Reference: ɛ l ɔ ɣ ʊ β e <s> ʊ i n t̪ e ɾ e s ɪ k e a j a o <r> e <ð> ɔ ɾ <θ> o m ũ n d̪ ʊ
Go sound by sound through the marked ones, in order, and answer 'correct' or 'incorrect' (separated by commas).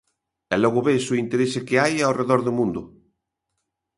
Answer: correct, correct, correct, incorrect